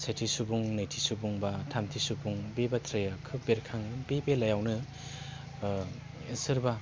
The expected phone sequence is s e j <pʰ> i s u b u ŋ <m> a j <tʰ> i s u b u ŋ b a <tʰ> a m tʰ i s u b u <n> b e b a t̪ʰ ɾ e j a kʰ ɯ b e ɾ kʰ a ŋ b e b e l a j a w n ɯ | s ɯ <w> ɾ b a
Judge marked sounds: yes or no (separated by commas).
no, no, yes, yes, no, no